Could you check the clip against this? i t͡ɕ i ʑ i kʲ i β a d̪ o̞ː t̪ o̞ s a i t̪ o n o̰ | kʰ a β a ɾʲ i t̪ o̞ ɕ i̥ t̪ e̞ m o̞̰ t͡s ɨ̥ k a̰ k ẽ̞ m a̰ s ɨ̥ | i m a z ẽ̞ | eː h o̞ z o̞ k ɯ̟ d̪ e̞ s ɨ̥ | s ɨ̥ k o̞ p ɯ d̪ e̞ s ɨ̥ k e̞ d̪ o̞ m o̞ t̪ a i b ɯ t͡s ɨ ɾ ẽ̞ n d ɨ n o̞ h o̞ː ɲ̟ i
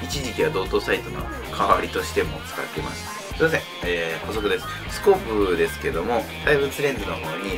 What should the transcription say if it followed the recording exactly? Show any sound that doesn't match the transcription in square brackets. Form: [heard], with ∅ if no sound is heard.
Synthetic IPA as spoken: i t͡ɕ i ʑ i kʲ i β a d̪ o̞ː t̪ o̞ s a i t̪ o n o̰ | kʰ a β a ɾʲ i t̪ o̞ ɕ i̥ t̪ e̞ m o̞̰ t͡s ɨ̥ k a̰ k [e̞] m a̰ s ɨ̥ | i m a z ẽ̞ | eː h o̞ [s] o̞ k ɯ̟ d̪ e̞ s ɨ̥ | s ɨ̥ k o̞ p ɯ d̪ e̞ s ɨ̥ k e̞ d̪ o̞ m o̞ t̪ a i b ɯ t͡s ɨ ɾ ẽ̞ n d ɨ n o̞ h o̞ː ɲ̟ i